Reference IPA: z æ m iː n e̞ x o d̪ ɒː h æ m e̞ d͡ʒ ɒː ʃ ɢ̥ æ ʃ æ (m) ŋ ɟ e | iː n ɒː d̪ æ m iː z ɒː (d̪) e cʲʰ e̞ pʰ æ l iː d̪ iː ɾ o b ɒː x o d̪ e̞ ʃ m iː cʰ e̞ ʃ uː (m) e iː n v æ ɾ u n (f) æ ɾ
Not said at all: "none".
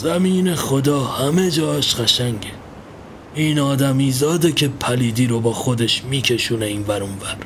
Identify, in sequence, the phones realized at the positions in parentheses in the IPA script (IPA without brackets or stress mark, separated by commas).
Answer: none, d̪, n, v